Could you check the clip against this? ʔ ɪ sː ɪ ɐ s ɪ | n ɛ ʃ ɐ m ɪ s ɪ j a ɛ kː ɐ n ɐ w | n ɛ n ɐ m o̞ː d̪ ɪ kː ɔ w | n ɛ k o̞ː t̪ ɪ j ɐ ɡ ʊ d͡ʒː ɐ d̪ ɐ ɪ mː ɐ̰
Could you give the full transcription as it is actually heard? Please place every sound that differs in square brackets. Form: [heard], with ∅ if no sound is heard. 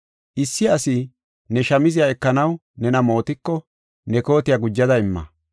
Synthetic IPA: ʔ ɪ sː ɪ ɐ s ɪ | n ɛ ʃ ɐ m ɪ [z] ɪ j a ɛ kː ɐ n ɐ w | n ɛ n ɐ m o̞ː [t̪] ɪ kː ɔ [∅] | n ɛ k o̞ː t̪ ɪ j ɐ ɡ ʊ d͡ʒː ɐ d̪ ɐ ɪ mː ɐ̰

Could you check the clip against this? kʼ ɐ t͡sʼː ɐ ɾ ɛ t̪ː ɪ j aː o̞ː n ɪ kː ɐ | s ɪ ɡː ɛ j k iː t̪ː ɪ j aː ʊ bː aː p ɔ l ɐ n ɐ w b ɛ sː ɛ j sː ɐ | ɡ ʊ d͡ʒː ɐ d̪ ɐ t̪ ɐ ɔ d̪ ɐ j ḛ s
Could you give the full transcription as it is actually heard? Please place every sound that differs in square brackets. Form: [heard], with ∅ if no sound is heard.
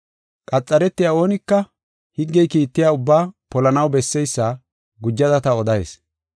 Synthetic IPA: kʼ ɐ t͡sʼː ɐ ɾ ɛ t̪ː ɪ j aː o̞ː n ɪ kː ɐ | [h] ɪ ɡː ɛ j k iː t̪ː ɪ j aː ʊ bː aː p ɔ l ɐ n ɐ w b ɛ sː ɛ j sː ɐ | ɡ ʊ d͡ʒː ɐ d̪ ɐ t̪ ɐ ɔ d̪ ɐ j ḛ s

